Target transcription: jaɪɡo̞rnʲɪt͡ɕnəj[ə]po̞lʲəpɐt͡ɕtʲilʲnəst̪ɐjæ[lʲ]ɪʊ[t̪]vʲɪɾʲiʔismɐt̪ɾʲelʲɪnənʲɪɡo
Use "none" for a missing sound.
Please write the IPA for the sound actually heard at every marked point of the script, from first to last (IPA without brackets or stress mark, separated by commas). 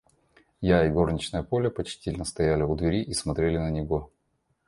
ə, lʲ, d̪